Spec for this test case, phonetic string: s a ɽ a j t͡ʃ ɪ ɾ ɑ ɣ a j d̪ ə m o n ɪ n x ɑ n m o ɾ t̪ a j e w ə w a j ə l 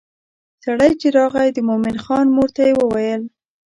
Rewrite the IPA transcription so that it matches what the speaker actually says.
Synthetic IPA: s a ɽ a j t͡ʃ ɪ ɾ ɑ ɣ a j d̪ ə m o m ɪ n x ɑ n m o ɾ t̪ a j e w ə w a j ə l